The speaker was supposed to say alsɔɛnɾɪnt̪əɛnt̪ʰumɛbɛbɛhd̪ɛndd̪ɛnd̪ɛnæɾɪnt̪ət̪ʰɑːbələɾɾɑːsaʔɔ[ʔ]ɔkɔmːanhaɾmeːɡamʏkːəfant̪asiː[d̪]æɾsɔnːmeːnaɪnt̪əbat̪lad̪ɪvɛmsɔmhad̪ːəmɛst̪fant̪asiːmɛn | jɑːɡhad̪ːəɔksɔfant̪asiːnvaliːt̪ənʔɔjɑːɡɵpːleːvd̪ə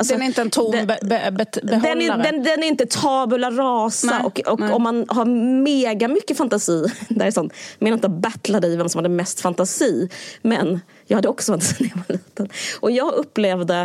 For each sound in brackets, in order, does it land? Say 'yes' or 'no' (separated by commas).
no, yes